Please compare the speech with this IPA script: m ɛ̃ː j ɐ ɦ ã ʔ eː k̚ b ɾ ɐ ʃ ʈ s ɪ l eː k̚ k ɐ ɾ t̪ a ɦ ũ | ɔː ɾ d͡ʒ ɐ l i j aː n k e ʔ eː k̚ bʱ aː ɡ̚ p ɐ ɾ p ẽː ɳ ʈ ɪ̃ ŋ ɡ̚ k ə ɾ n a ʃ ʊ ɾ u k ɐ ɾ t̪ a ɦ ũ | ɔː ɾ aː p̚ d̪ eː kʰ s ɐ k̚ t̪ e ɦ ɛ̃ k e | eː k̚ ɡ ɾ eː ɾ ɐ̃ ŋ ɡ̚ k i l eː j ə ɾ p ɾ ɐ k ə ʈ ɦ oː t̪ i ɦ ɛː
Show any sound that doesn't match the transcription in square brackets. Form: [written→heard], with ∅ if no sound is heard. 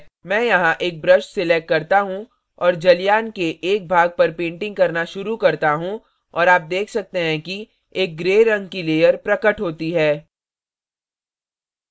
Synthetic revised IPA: m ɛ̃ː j ɐ ɦ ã ʔ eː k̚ b ɾ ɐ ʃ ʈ s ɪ l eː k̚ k ɐ ɾ t̪ a ɦ ũ | ɔː ɾ d͡ʒ ɐ l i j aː n k e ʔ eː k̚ bʱ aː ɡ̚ p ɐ ɾ p ẽː ɳ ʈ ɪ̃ ŋ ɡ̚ k [ə→ɐ] ɾ n a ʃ ʊ ɾ u k ɐ ɾ t̪ a ɦ ũ | ɔː ɾ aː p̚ d̪ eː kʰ s ɐ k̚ t̪ e ɦ ɛ̃ k [e→i] | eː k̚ ɡ ɾ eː ɾ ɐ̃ ŋ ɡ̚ k i l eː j ə ɾ p ɾ ɐ k ə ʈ ɦ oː t̪ i ɦ ɛː

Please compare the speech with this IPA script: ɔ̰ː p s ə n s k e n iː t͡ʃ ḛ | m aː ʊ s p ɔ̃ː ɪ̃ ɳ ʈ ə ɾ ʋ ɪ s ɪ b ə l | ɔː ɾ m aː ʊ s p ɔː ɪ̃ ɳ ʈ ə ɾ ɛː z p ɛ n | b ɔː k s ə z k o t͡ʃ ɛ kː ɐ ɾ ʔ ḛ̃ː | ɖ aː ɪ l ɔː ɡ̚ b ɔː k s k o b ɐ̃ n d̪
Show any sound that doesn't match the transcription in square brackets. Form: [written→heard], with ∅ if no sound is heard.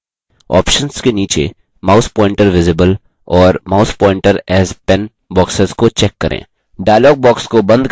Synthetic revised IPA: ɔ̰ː p [s→ʃ] ə n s k e n iː t͡ʃ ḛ | m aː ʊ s p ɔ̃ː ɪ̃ ɳ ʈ ə ɾ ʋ ɪ [s→z] ɪ b ə l | ɔː ɾ m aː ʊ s p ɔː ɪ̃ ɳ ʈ ə ɾ ɛː z p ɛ n | b ɔː k s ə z k o t͡ʃ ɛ kː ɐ ɾ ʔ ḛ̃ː | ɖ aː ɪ l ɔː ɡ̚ b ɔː k s k o b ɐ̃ n d̪

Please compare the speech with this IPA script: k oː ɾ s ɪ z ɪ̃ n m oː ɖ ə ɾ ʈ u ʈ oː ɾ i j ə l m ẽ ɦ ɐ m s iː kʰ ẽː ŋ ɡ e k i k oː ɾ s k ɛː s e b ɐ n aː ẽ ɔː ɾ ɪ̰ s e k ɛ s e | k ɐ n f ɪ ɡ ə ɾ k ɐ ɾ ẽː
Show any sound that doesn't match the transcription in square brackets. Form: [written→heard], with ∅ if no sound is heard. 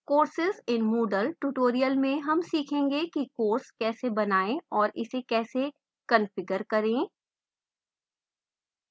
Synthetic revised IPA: k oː ɾ s ɪ z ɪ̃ n m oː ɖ ə [ɾ→l] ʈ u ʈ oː ɾ i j ə l m ẽ ɦ ɐ m s iː kʰ ẽː ŋ ɡ e k i k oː ɾ s k ɛː s e b ɐ n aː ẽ ɔː ɾ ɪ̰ s e k [ɛ→ɛː] s e | k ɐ n f ɪ ɡ ə ɾ k ɐ ɾ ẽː

